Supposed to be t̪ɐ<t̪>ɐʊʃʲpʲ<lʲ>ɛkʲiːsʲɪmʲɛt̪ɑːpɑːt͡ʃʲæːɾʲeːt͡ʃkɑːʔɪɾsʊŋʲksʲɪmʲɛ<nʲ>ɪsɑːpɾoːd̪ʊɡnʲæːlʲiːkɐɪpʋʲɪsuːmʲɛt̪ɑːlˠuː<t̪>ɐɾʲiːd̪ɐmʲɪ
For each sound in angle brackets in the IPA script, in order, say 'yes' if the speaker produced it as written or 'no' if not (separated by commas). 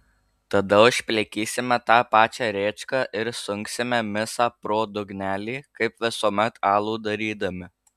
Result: no, yes, no, no